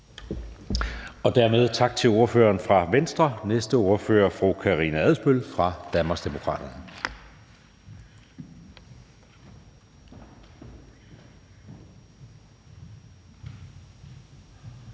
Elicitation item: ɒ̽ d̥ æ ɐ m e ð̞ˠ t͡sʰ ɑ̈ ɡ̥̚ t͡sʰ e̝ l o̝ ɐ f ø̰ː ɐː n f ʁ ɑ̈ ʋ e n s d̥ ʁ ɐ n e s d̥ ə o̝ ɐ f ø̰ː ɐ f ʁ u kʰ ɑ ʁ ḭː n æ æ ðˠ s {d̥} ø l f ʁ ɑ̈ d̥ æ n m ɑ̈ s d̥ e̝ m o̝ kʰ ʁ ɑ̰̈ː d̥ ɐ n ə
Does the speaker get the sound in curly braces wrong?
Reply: yes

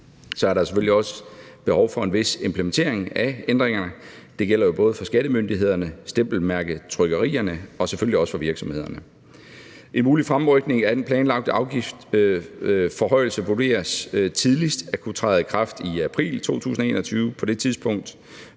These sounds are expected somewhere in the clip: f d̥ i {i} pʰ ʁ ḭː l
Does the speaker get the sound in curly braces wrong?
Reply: yes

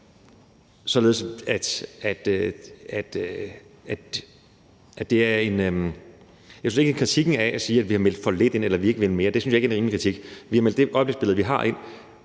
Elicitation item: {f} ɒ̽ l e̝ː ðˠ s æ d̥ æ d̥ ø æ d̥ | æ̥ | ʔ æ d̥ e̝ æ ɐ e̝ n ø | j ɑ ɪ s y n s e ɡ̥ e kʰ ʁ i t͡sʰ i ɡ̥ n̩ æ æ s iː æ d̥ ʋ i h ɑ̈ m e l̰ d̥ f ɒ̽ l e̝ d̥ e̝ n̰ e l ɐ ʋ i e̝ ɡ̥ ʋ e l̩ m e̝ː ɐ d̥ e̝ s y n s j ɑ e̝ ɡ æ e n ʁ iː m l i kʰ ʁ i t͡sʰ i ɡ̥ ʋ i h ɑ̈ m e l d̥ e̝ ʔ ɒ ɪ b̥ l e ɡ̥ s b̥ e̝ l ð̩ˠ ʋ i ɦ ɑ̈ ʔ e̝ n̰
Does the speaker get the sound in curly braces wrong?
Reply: yes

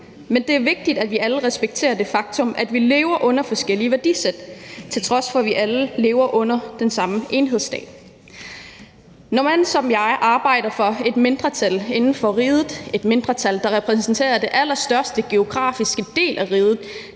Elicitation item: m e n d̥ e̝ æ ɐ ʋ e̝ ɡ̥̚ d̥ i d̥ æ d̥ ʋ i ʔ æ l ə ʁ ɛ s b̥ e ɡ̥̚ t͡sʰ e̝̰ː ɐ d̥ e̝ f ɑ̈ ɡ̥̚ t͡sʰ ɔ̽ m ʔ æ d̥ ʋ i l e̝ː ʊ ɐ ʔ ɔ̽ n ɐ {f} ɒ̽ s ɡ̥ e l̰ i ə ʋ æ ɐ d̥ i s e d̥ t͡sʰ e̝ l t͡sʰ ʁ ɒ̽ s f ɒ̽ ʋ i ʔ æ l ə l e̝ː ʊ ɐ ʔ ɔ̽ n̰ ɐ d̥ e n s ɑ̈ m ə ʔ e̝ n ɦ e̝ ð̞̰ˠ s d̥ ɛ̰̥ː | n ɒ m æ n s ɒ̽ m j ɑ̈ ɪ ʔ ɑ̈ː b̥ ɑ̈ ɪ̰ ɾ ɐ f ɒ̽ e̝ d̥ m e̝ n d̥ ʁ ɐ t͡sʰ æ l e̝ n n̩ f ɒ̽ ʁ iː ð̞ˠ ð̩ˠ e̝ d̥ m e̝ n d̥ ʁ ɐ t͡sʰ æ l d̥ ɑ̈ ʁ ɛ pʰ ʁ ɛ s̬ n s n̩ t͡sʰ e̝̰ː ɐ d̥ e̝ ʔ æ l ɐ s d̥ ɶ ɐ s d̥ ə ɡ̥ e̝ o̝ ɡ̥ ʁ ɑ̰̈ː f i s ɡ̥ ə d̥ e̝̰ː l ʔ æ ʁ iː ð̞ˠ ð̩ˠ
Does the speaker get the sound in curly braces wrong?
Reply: no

